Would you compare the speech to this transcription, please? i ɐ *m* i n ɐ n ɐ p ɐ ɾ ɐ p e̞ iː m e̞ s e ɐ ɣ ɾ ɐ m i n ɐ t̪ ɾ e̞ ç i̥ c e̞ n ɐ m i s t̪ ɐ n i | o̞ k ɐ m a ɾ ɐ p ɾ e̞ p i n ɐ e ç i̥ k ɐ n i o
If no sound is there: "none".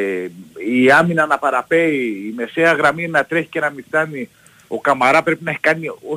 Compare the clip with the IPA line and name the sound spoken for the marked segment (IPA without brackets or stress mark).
m